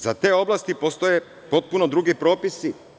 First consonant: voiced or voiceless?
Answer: voiced